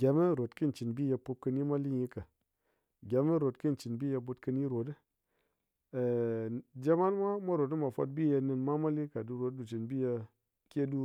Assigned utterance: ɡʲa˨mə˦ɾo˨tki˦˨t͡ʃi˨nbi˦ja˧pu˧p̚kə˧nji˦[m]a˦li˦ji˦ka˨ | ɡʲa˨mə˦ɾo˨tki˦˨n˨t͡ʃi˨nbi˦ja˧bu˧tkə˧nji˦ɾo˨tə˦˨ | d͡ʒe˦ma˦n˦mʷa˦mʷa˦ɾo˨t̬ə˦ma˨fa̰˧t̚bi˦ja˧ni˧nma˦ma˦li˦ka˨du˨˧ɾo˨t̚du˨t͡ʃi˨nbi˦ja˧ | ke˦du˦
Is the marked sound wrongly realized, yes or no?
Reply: no